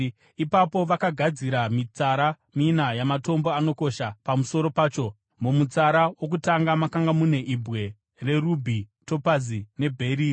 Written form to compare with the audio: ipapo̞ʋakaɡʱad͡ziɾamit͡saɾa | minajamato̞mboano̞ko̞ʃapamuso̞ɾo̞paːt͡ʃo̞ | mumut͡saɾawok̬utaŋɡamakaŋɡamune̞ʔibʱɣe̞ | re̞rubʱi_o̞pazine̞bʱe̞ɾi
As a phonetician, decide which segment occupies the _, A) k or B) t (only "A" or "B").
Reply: B